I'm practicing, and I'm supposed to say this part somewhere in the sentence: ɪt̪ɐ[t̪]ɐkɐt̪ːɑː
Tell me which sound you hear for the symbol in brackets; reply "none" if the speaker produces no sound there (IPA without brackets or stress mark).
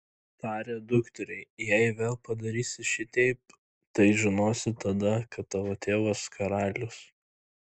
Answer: d̪